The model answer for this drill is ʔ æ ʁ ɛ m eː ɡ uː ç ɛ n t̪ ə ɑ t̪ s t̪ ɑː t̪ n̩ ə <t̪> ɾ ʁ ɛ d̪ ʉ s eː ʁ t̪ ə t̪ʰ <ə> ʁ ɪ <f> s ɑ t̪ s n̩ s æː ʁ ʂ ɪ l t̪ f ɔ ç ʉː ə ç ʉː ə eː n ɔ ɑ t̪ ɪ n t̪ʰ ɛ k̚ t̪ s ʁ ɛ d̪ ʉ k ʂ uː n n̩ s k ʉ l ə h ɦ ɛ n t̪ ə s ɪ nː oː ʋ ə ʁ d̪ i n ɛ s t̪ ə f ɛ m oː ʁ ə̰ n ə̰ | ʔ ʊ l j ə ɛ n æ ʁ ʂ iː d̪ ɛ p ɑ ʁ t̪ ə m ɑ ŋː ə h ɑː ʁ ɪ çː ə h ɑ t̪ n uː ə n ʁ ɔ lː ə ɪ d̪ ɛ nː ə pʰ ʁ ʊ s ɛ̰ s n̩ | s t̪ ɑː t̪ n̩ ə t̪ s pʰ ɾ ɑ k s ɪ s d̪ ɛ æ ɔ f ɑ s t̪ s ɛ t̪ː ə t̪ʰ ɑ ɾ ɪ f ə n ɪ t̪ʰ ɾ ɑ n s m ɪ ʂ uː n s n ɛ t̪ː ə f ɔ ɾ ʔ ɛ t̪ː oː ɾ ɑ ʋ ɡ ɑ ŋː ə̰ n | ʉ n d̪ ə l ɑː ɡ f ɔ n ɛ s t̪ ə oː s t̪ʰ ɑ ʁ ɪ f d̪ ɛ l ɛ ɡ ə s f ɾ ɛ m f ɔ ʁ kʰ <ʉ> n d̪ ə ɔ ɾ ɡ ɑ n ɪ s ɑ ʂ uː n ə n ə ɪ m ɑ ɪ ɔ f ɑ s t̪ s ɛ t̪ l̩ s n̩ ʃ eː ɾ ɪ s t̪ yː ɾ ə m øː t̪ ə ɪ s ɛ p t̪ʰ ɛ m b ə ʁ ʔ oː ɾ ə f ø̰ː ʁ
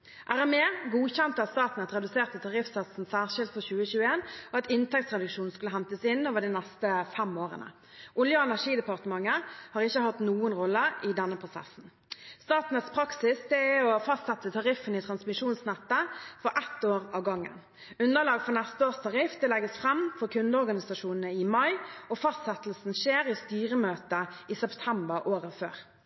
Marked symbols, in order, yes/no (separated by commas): yes, no, yes, yes